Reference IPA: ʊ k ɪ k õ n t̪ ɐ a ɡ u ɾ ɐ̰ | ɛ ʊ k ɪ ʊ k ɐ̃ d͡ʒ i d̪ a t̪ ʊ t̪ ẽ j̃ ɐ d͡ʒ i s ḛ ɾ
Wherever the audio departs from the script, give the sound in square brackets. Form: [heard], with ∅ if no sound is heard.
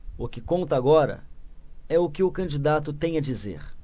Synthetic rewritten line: ʊ k ɪ k õ n t̪ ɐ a ɡ [ɔ] ɾ ɐ̰ | ɛ ʊ k ɪ ʊ k ɐ̃ d͡ʒ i d̪ a t̪ ʊ t̪ ẽ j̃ ɐ d͡ʒ i [z] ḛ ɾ